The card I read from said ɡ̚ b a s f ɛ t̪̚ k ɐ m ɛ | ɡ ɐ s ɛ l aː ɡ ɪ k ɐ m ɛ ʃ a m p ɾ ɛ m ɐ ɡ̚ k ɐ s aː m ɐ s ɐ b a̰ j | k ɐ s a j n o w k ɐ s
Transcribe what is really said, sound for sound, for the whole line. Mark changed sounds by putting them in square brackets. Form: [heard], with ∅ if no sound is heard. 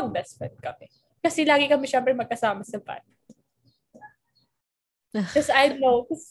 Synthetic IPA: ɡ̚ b [ɛ] s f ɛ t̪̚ k ɐ m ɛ | [k] ɐ s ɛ l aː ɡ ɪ k ɐ m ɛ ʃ [ɛ] m p ɾ ɛ m ɐ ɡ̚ k ɐ s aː m ɐ s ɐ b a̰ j | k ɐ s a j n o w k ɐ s